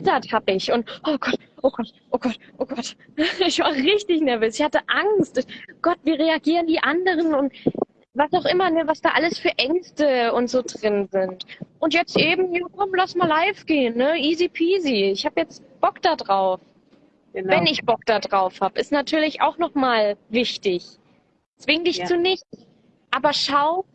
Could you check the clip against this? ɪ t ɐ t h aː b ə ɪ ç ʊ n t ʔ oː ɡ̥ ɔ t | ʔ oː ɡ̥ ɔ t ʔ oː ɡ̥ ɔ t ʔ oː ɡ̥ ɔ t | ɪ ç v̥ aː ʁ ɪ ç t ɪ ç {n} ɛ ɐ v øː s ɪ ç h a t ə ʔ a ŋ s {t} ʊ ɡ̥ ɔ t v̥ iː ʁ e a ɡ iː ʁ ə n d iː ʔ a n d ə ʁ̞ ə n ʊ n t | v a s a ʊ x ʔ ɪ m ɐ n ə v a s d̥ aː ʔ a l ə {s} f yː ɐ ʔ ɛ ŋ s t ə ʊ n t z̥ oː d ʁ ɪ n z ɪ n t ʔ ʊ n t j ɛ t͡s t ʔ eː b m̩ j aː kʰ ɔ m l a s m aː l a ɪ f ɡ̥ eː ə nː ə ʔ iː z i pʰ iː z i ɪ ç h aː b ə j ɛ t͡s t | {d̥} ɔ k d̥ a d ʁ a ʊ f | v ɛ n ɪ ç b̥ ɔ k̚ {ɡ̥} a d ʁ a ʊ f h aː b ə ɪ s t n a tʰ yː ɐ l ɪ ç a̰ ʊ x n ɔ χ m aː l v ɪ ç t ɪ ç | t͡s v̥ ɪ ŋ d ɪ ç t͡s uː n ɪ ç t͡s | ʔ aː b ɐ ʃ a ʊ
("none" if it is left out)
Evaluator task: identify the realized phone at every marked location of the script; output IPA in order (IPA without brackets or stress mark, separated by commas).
n, t, s, b̥, d̥